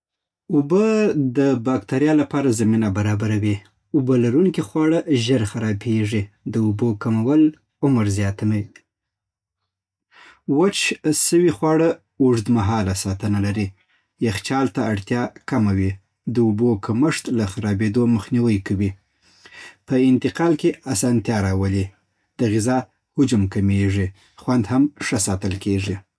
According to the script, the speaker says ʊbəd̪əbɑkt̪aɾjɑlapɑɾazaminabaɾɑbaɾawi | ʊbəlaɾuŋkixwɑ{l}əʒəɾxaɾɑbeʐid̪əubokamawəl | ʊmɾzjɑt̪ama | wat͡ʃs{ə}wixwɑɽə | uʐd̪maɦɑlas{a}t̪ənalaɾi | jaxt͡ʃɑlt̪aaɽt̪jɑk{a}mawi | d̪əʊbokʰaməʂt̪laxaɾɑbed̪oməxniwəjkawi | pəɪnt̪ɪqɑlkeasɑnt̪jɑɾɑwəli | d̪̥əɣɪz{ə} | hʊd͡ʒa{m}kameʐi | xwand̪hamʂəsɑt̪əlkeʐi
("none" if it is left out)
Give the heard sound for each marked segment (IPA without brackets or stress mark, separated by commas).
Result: ɽ, ə, ɑ, a, ɑ, m